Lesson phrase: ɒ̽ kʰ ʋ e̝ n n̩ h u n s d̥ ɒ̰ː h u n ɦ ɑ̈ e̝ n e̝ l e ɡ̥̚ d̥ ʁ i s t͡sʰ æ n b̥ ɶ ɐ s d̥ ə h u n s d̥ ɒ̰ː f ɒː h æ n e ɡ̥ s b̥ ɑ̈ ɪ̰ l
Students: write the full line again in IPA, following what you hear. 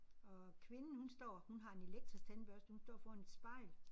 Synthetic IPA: ɒ̽ kʰ ʋ e̝ n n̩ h u n s d̥ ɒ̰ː h u n ɦ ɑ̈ e̝ n e̝ l e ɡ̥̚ d̥ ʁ i s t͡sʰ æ n b̥ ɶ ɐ s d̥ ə h u n s d̥ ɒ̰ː f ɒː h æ n e d̥ s b̥ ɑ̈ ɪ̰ l